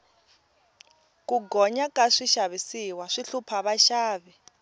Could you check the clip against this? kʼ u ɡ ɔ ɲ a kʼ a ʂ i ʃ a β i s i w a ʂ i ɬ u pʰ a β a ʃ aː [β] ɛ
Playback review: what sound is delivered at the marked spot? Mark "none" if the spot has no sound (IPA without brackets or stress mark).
β